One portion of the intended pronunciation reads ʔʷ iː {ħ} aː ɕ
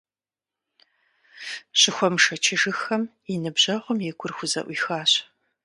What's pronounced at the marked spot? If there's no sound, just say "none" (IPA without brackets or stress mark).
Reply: x